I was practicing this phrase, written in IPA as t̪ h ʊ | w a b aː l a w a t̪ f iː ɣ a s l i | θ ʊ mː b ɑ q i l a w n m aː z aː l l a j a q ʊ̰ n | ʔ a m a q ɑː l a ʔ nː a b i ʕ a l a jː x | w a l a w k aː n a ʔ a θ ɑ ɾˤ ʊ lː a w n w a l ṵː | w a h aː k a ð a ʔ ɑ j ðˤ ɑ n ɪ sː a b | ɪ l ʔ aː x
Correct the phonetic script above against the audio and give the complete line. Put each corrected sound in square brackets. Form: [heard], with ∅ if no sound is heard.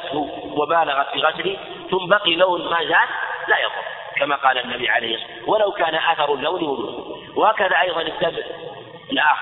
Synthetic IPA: t̪ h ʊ | w a b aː l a [ɣ] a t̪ f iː ɣ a s l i | θ ʊ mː b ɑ q i l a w n m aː z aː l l a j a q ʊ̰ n | [k] a m a q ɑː l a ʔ nː a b i ʕ a l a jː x | w a l a w k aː n a ʔ a θ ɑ ɾˤ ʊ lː a w n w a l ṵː | w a h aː k a ð a ʔ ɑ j ðˤ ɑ n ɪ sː a b | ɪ l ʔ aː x